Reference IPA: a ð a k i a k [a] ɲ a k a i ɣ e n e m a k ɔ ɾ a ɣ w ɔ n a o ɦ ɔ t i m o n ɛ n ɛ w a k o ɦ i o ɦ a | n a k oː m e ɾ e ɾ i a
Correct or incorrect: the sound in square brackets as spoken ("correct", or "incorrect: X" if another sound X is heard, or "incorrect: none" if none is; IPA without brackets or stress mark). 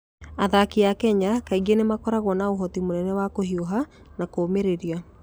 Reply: incorrect: ɛ